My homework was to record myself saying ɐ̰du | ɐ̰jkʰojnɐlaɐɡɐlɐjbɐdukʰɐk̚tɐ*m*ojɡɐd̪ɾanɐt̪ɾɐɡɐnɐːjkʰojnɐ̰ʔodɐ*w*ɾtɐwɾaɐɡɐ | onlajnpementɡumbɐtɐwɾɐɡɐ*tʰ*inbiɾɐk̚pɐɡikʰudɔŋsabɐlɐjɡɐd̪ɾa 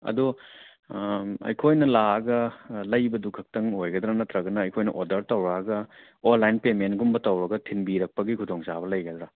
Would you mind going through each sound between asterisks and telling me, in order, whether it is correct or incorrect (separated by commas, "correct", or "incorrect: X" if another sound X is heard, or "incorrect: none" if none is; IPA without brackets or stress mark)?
incorrect: ŋ, incorrect: none, correct